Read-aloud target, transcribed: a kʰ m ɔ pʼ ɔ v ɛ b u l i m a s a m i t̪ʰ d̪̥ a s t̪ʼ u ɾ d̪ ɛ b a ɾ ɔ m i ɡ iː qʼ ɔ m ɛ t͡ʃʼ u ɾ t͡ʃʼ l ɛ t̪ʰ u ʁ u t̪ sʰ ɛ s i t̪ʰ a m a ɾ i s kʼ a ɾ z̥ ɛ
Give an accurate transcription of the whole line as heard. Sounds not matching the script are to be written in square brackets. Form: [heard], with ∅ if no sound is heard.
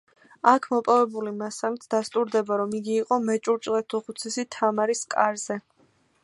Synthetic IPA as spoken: a kʰ m ɔ pʼ ɔ v ɛ b u l i m a s a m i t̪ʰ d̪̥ a s t̪ʼ u ɾ d̪ ɛ b a ɾ ɔ m i ɡ iː qʼ ɔ m ɛ t͡ʃʼ u ɾ t͡ʃʼ l ɛ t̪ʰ u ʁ u t̪ sʰ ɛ s i t̪ʰ a m a ɾ i s kʼ a ɾ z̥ ɛ